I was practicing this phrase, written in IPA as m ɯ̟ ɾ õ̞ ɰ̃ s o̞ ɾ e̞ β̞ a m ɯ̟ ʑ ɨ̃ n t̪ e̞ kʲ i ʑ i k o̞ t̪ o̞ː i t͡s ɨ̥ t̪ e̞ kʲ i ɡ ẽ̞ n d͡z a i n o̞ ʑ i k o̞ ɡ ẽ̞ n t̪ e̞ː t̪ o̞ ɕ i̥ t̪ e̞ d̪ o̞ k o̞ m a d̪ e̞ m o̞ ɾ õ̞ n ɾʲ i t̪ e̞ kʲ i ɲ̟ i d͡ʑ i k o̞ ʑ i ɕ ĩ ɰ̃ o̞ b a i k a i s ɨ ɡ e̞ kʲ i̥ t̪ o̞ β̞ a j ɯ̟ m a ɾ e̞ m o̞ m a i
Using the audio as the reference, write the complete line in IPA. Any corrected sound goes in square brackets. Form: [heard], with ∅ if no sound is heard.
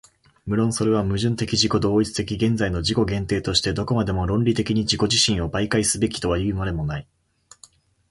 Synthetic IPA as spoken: m ɯ̟ ɾ õ̞ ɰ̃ s o̞ ɾ e̞ β̞ a m ɯ̟ ʑ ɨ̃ n t̪ e̞ kʲ i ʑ i k o̞ [d̪] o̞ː i t͡s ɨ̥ t̪ e̞ kʲ i ɡ ẽ̞ n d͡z a i n o̞ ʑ i k o̞ ɡ ẽ̞ n t̪ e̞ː t̪ o̞ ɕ i̥ t̪ e̞ d̪ o̞ k o̞ m a d̪ e̞ m o̞ ɾ õ̞ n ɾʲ i t̪ e̞ kʲ i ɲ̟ i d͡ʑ i k o̞ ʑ i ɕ ĩ ɰ̃ o̞ b a i k a i s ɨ [b] e̞ kʲ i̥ t̪ o̞ β̞ a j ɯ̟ m a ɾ e̞ m o̞ [n] a i